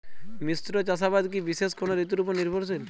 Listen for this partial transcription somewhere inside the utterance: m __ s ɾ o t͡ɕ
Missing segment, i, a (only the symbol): i